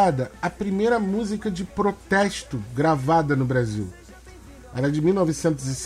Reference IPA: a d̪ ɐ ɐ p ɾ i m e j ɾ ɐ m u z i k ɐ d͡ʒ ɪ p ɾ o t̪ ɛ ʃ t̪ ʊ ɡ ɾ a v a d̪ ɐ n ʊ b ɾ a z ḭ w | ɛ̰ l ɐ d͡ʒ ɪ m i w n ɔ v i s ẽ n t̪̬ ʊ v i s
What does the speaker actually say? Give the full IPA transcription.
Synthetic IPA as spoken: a d̪ ɐ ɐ p ɾ i m e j ɾ ɐ m u z i k ɐ d͡ʒ ɪ p ɾ o t̪ ɛ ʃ t̪ ʊ ɡ ɾ a v a d̪ ɐ n ʊ b ɾ a z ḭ w | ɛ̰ ɾ ɐ d͡ʒ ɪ m i w n ɔ v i s ẽ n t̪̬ ʊ z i s